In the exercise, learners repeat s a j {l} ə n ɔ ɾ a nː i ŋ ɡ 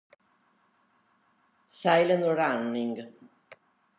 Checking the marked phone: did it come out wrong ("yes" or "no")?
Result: no